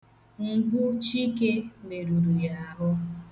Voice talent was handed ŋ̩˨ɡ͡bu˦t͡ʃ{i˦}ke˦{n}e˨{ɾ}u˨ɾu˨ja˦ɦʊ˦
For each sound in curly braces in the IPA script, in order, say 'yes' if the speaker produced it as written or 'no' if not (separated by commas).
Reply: yes, no, yes